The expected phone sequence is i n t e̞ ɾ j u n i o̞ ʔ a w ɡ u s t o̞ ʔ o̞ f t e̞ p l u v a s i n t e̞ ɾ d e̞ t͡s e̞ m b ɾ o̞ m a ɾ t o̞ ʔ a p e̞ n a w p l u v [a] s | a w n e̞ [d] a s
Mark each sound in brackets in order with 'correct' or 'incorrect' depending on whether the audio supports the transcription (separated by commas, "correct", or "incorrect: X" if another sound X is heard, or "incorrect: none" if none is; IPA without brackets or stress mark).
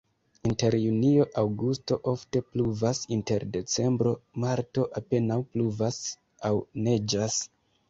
correct, incorrect: d͡ʒ